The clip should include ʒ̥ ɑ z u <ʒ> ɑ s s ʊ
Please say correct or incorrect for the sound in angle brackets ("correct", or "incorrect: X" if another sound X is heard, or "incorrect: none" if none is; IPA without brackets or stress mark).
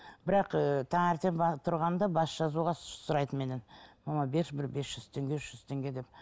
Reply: incorrect: ʁ